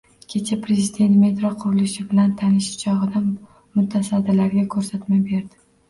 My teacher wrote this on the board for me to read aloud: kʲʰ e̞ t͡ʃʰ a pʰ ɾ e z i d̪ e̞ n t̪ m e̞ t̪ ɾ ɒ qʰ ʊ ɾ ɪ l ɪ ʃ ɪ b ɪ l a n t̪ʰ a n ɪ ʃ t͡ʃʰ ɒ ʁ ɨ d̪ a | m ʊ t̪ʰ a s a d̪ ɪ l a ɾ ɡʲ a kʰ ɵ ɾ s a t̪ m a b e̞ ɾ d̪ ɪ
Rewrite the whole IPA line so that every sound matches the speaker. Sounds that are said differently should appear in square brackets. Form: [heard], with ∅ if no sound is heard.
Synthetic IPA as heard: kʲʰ e̞ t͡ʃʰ a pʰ ɾ e z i d̪ e̞ n t̪ m e̞ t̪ ɾ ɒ qʰ ʊ ɾ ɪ l ɪ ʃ ɪ b ɪ l a n t̪ʰ a n ɪ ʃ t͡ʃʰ ɒ ʁ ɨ d̪ a | m ʊ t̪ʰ a s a d̪ ɪ l a ɾ ɡʲ a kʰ ɵ ɾ s a t̪ m a b e̞ ɾ d̪ ɪ

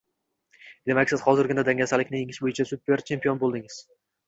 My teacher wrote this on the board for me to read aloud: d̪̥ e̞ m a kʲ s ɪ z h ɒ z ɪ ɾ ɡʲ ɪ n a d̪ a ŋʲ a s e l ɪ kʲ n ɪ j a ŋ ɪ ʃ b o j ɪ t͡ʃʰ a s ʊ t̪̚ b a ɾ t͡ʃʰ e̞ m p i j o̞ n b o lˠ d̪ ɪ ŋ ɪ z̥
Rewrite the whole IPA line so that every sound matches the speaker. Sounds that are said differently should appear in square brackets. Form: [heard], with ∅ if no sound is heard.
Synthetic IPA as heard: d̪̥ e̞ m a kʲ s ɪ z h ɒ z ɪ ɾ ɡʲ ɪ n a d̪ a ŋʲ a s [a] l ɪ kʲ n ɪ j [e] ŋ ɪ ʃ b o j ɪ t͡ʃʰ a s ʊ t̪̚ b [e] ɾ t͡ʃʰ e̞ m p i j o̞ n b o lˠ d̪ ɪ ŋ ɪ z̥

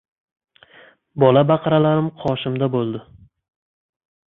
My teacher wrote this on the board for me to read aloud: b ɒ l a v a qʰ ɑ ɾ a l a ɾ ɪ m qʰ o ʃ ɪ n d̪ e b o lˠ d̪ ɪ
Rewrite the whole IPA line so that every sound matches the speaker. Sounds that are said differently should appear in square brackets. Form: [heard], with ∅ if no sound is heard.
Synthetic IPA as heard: b ɒ l a [b] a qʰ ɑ ɾ a l a ɾ ɪ m qʰ [ɒ] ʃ ɪ [m] d̪ [a] b o lˠ d̪ ɪ

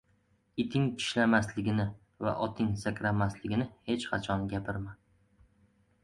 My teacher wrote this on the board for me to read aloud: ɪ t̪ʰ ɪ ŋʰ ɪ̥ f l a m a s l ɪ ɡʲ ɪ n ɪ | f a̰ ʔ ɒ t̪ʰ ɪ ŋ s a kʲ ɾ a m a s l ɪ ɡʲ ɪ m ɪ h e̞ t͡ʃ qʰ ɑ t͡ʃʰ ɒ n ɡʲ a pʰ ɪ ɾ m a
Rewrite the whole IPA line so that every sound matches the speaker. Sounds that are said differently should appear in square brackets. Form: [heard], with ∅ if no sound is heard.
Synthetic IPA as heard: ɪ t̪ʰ ɪ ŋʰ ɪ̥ [ʃ] l a m a s l ɪ ɡʲ ɪ n ɪ | [v] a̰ ʔ ɒ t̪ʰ ɪ ŋ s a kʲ ɾ a m a s l ɪ ɡʲ ɪ [n] ɪ h e̞ t͡ʃ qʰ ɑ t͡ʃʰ ɒ n ɡʲ a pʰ ɪ ɾ m a

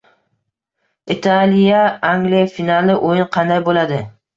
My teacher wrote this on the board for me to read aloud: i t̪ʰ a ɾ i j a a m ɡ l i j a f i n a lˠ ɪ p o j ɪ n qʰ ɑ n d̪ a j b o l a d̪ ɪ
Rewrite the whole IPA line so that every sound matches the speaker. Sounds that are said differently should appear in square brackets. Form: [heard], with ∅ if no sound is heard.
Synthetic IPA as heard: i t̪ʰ a [l] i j a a [ŋ] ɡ l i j a f i n a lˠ ɪ [ʔ] o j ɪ n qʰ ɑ n d̪ a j b o l a d̪ ɪ

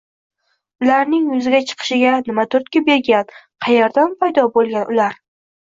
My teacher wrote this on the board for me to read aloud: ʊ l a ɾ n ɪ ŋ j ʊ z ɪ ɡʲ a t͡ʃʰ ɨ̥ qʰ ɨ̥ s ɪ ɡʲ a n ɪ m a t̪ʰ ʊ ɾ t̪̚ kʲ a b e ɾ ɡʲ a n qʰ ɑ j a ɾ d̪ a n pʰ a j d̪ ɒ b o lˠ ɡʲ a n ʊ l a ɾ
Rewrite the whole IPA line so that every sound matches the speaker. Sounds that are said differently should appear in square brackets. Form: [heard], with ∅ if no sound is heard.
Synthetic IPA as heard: ʊ l a ɾ n ɪ ŋ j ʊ z ɪ ɡʲ a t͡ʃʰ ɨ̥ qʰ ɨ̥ [ʃ] ɪ ɡʲ a n ɪ m a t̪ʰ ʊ ɾ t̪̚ kʲ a b e ɾ ɡʲ a n qʰ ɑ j a ɾ d̪ a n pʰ a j d̪ ɒ b o lˠ ɡʲ a n ʊ l a ɾ

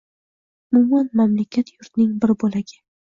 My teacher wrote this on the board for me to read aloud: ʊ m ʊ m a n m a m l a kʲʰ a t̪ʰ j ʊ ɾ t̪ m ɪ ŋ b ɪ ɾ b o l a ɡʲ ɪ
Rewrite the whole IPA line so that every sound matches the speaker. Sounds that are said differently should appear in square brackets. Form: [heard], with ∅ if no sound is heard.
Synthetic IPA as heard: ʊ m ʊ m a n m a m l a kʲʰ a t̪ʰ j ʊ ɾ t̪ [n] ɪ ŋ b ɪ ɾ b o l a ɡʲ ɪ

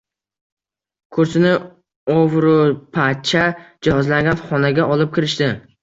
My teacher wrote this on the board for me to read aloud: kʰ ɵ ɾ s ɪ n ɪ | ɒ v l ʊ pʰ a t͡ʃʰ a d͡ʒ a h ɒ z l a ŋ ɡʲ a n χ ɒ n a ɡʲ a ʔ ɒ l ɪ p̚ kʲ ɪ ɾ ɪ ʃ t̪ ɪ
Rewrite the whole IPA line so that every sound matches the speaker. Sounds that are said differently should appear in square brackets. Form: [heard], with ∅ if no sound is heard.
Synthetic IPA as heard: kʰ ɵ ɾ s ɪ n ɪ | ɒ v [ɾ] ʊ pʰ a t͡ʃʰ a d͡ʒ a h ɒ z l a ŋ ɡʲ a n χ ɒ n a ɡʲ a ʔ ɒ l ɪ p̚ kʲ ɪ ɾ ɪ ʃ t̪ ɪ

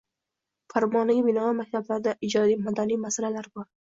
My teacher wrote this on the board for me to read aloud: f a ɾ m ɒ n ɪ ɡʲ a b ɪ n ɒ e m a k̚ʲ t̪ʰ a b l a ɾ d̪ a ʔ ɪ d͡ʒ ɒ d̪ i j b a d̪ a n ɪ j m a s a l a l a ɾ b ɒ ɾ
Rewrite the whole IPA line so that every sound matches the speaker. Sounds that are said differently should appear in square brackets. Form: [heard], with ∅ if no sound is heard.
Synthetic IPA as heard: f a ɾ m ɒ n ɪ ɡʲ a b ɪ n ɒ [a] m a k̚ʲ t̪ʰ a b l a ɾ d̪ a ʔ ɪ d͡ʒ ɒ d̪ i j [m] a d̪ a n [i] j m a s a l a l a ɾ b ɒ ɾ

